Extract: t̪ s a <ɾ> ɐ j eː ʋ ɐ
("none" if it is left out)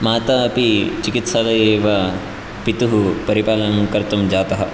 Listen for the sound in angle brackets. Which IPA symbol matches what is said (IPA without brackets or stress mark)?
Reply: l